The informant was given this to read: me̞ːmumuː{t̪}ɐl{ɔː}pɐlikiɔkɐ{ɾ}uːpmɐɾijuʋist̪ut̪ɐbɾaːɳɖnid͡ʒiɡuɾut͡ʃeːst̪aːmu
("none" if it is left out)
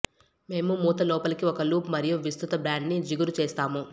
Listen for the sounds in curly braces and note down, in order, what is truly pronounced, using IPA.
t̪, ɔː, l

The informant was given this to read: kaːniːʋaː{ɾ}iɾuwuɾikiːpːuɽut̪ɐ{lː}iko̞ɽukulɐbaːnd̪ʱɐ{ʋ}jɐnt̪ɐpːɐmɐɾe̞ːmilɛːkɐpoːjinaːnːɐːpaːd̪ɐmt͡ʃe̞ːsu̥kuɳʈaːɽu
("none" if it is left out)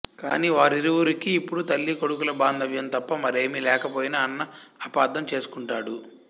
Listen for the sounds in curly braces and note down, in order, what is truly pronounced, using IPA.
ɾ, lː, ʋ

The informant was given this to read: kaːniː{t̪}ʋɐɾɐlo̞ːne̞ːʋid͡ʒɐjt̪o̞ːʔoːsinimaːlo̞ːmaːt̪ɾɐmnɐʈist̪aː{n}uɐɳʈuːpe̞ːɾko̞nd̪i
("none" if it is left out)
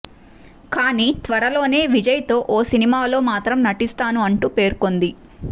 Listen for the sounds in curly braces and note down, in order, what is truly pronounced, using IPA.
t̪, n

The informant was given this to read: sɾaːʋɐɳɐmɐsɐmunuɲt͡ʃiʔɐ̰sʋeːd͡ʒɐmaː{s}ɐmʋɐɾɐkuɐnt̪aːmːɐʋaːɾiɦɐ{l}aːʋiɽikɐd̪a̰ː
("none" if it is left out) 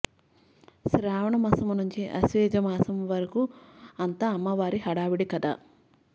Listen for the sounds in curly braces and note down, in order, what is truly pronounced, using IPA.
s, ɽ

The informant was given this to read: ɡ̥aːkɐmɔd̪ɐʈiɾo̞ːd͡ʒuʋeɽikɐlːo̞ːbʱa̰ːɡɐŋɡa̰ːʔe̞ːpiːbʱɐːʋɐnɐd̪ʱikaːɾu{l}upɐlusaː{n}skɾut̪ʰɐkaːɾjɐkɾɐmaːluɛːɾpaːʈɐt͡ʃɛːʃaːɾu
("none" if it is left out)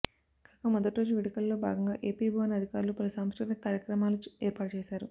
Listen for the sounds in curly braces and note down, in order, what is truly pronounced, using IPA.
l, m

